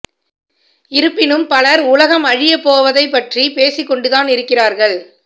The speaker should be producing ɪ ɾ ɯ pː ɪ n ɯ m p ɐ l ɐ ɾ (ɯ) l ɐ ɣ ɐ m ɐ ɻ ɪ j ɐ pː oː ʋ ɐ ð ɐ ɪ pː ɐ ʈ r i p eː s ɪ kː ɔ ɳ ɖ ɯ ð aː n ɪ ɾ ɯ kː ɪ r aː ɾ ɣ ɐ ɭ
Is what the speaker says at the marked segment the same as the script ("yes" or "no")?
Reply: no